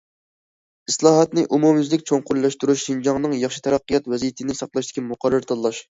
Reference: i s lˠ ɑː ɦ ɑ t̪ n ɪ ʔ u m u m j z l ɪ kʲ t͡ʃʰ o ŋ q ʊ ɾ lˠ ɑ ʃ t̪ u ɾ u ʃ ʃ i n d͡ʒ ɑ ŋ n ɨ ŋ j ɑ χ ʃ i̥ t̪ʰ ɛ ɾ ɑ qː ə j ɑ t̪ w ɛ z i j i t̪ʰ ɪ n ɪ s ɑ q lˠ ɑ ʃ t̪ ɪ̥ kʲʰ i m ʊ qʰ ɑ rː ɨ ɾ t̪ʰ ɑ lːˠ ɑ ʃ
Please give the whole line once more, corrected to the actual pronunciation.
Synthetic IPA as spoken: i s lˠ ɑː ɦ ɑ t̪ n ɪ ʔ u m u m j z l ɪ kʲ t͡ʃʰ o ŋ q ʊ ɾ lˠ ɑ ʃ t̪ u ɾ u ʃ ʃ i n d͡ʒ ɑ ŋ n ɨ ŋ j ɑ χ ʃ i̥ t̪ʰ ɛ ɾ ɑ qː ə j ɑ t̪ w ɛ z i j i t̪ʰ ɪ n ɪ s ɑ q lˠ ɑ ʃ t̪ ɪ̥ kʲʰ i m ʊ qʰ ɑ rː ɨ ɾ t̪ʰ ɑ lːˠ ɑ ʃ